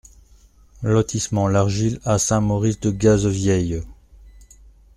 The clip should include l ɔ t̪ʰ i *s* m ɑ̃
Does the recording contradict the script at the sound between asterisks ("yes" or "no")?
no